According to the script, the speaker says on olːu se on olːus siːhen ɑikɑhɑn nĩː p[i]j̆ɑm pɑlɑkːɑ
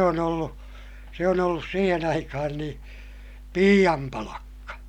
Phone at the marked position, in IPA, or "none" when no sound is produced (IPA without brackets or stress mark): iː